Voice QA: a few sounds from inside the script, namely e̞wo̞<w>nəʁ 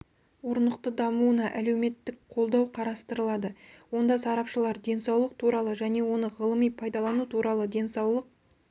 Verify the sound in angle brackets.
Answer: incorrect: none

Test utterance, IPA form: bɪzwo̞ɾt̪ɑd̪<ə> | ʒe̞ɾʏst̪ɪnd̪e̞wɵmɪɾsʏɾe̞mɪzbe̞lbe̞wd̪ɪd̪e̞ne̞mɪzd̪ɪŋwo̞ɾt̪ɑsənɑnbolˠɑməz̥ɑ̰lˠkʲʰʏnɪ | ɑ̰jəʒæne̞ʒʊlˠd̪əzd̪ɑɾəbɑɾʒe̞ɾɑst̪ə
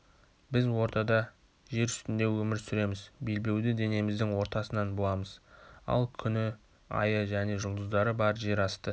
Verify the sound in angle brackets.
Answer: incorrect: ɑ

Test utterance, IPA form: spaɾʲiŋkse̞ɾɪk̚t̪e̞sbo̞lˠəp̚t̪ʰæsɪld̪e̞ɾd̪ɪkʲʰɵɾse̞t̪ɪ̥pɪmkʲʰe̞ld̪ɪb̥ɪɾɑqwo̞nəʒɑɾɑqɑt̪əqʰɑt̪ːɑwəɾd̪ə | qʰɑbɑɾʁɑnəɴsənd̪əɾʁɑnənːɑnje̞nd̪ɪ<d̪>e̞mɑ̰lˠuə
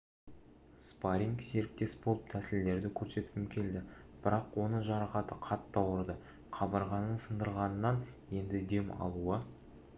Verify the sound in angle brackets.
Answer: correct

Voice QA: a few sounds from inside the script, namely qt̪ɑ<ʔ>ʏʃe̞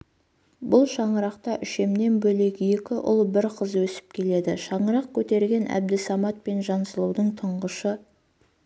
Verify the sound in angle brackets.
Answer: correct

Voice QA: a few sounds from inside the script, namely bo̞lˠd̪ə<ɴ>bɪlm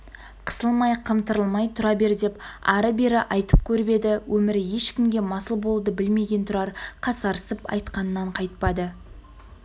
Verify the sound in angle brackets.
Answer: incorrect: none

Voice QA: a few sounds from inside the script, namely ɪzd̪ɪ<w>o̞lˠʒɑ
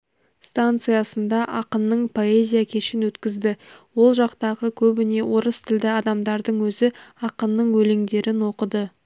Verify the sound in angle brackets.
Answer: correct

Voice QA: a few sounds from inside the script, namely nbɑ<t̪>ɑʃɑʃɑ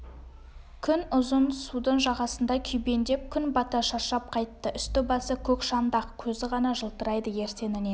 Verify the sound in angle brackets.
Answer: correct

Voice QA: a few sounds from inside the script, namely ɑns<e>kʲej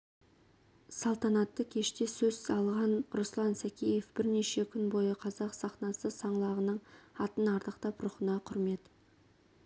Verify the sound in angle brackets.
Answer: incorrect: æ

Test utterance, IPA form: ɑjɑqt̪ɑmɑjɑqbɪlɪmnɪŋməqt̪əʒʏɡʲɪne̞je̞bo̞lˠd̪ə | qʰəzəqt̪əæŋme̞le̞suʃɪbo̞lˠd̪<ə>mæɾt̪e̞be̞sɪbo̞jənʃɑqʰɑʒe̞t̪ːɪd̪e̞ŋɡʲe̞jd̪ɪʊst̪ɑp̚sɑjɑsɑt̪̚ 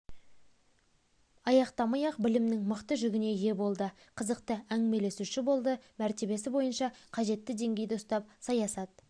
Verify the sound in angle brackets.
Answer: correct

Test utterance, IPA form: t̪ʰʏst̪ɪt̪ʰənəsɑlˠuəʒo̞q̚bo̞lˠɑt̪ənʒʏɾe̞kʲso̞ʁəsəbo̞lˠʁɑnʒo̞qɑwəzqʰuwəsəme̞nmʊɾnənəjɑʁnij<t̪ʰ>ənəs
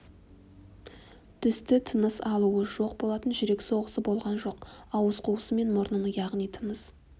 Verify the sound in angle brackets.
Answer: correct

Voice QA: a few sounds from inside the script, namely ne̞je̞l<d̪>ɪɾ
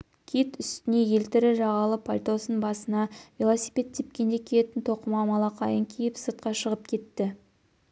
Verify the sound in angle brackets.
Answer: incorrect: t̪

